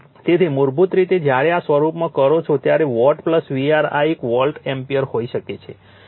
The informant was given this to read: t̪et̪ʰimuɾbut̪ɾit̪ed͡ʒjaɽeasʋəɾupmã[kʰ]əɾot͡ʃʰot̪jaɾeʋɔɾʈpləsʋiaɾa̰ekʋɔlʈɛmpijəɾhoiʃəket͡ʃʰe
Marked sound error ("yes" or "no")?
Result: yes